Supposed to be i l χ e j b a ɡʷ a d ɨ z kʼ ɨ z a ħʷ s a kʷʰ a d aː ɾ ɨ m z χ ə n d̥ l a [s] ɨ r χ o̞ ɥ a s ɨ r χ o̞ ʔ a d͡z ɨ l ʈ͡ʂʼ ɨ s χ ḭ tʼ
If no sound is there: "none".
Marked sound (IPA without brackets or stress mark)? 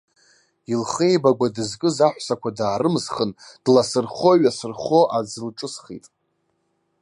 s